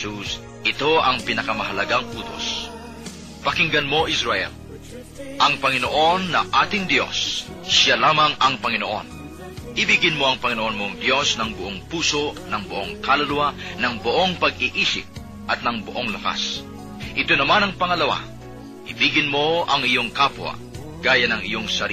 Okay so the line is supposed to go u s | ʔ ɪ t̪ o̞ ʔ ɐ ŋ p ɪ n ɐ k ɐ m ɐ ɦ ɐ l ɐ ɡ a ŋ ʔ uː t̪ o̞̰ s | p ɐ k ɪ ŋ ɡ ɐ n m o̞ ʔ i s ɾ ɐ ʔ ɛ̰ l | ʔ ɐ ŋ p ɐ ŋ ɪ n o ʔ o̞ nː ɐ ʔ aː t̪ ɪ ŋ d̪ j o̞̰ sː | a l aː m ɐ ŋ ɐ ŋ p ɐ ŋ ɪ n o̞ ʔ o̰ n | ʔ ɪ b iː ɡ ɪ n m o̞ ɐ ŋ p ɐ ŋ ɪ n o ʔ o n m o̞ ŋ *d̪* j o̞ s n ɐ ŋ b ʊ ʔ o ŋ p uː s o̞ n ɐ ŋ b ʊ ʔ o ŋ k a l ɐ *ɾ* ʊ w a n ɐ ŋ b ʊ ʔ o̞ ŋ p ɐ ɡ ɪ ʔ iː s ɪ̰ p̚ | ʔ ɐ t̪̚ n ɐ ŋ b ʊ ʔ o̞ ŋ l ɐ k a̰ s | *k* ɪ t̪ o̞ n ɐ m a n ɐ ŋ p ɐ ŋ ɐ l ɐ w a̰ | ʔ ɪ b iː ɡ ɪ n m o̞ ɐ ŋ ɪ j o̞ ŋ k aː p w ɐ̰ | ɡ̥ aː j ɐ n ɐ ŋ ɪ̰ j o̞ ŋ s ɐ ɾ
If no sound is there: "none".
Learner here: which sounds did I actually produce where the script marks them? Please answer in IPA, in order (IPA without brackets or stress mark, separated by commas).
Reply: d̪, l, ʔ